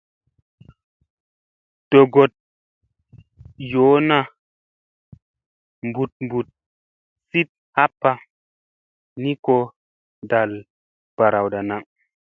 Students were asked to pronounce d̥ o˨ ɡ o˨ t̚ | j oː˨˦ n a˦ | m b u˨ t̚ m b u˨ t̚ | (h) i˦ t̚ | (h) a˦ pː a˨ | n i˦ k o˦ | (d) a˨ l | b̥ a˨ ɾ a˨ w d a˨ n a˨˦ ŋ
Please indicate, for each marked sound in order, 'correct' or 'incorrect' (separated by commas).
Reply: incorrect, correct, correct